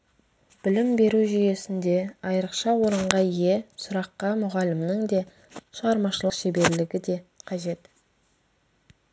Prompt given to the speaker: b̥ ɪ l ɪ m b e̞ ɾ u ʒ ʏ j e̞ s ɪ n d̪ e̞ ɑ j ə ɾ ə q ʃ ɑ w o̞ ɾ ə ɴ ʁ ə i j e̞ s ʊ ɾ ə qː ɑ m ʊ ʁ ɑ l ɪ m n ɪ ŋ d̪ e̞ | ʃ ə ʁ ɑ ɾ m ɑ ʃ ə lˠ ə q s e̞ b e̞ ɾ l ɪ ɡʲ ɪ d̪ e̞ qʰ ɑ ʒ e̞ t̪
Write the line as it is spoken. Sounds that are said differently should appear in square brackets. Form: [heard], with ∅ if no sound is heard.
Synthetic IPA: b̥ ɪ l ɪ m b e̞ ɾ u ʒ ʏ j e̞ s ɪ n d̪ e̞ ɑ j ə ɾ ə q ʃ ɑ w o̞ ɾ ə ɴ ʁ [ɑ] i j e̞ s ʊ ɾ [ɑ] qː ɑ m ʊ ʁ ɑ l ɪ m n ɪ ŋ d̪ e̞ | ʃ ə ʁ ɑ ɾ m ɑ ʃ ə lˠ ə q [ʃ] e̞ b e̞ ɾ l ɪ ɡʲ ɪ d̪ e̞ qʰ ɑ ʒ e̞ t̪